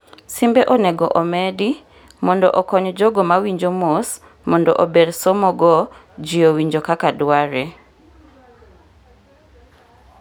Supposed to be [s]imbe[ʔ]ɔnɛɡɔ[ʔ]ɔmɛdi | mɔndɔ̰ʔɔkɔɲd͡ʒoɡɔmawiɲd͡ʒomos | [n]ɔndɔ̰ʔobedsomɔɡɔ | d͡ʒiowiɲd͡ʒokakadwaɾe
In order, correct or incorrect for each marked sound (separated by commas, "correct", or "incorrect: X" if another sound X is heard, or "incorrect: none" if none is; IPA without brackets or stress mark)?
correct, correct, correct, incorrect: m